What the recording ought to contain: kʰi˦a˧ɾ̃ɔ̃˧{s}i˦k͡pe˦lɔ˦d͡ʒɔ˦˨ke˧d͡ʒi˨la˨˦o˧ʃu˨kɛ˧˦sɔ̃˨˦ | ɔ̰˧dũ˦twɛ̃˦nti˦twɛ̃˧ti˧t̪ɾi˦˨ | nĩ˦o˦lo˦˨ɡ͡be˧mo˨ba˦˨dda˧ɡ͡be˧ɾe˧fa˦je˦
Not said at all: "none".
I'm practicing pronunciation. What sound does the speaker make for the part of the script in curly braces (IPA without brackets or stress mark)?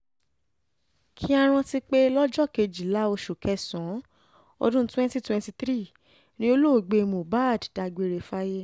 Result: t